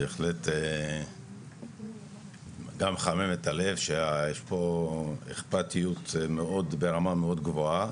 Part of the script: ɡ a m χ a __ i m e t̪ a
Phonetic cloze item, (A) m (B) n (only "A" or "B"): A